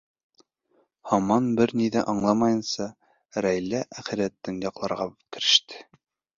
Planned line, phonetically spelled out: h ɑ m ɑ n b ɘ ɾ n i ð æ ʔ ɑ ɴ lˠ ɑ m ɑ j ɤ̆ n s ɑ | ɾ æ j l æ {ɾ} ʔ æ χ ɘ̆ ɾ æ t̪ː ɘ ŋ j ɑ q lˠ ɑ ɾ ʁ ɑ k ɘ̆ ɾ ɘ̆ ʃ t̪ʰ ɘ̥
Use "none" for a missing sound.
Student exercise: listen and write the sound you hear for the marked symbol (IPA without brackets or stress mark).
none